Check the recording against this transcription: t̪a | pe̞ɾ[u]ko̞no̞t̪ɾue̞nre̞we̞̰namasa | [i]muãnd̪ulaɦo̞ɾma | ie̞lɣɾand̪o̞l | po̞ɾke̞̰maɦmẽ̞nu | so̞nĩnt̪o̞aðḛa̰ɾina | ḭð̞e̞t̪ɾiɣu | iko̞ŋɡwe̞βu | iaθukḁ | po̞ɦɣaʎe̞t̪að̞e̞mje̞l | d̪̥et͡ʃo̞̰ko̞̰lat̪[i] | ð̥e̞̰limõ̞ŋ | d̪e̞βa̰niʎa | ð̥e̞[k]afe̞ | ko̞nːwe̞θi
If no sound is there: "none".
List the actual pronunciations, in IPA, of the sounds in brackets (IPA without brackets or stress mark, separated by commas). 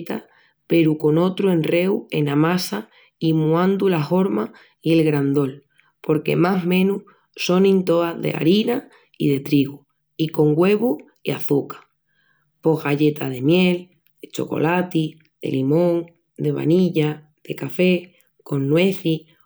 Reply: u, i, i, k